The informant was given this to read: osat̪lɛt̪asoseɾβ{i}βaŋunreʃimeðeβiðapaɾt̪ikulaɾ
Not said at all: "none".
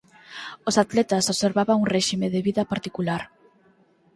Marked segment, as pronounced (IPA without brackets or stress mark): a